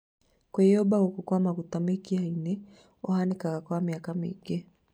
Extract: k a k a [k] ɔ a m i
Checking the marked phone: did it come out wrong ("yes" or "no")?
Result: no